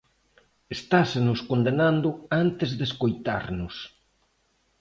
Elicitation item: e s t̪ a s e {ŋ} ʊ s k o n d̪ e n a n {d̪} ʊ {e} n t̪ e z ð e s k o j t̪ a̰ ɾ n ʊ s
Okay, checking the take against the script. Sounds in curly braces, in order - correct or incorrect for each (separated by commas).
incorrect, correct, incorrect